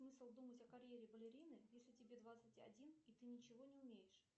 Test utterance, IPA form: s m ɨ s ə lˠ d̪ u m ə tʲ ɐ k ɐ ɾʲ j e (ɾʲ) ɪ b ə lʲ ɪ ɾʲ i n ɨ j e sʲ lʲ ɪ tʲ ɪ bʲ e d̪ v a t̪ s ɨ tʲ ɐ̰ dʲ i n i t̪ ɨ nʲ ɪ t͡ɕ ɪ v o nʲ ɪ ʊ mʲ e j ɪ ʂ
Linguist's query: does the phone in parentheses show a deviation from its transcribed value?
no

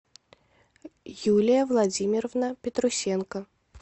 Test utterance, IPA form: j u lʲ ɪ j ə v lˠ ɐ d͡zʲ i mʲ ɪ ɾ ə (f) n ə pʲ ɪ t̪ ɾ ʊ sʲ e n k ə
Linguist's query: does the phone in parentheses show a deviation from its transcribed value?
yes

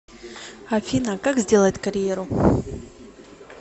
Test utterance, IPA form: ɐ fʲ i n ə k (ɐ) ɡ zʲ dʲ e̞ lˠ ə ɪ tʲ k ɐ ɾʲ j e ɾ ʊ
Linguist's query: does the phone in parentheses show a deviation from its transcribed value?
yes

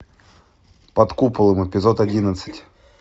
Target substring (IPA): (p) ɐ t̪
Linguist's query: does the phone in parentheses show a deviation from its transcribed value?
no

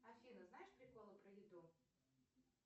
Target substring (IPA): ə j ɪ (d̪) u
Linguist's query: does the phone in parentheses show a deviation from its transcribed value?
no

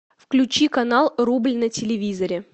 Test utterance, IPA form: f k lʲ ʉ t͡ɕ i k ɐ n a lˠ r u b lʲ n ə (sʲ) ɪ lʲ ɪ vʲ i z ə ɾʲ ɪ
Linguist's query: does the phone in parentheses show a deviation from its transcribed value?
yes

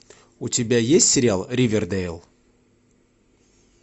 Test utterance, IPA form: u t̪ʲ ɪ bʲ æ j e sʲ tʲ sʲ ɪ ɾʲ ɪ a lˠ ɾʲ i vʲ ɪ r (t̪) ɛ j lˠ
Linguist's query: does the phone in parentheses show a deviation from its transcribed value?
yes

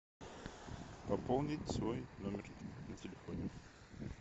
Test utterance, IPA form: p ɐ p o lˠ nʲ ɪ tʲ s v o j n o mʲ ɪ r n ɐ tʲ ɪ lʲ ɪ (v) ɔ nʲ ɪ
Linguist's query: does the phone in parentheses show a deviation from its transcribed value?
yes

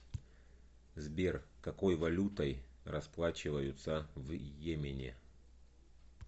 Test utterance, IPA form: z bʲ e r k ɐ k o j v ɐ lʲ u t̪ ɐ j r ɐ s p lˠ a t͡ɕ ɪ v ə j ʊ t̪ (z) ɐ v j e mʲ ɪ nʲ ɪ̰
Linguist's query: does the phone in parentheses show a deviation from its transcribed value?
yes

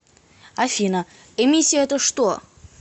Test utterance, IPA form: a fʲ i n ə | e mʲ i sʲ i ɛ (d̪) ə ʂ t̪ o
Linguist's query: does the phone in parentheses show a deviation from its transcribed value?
yes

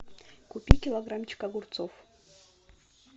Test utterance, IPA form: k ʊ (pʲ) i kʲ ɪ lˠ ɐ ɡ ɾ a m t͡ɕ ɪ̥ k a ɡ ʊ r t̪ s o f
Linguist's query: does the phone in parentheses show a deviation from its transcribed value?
no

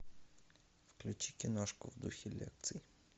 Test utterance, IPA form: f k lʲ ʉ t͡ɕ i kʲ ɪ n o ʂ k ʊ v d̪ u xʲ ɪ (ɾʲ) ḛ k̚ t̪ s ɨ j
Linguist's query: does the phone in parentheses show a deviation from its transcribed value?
yes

